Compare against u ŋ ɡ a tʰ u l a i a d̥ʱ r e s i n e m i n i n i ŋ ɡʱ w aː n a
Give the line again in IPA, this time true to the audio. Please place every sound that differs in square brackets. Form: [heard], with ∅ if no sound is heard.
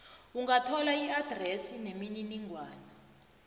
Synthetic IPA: u ŋ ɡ a tʰ [ɔ] l a i a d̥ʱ r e s i n e m i n i n i ŋ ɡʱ w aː n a